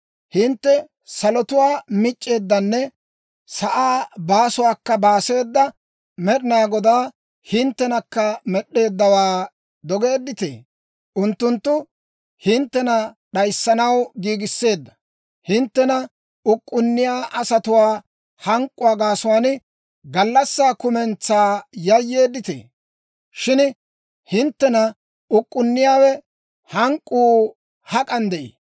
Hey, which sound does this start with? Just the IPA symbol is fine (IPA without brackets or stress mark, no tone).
h